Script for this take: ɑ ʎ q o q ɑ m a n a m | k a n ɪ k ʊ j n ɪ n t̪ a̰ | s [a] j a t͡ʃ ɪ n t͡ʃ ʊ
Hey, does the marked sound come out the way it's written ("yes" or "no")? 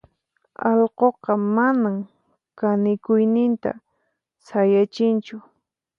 yes